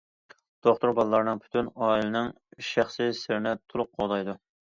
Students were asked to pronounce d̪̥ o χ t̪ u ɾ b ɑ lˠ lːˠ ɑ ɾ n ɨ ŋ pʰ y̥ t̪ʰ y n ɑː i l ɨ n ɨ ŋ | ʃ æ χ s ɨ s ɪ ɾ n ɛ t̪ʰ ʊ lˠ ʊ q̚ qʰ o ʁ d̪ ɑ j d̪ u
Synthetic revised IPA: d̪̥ o χ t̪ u ɾ b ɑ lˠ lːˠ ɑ ɾ n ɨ ŋ pʰ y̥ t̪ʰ y n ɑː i l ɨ n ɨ ŋ | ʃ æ χ s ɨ s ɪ ɾ n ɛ t̪ʰ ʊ lˠ ʊ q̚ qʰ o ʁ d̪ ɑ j d̪ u